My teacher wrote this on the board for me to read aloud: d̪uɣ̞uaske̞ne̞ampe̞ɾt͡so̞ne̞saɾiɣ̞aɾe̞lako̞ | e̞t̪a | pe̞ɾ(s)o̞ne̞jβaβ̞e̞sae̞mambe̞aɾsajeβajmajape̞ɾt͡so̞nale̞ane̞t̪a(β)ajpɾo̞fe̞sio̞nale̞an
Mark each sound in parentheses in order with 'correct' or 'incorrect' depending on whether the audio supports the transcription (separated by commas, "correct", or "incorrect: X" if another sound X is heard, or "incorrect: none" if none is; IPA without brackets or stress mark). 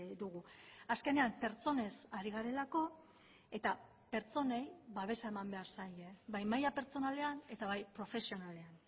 incorrect: t͡s, correct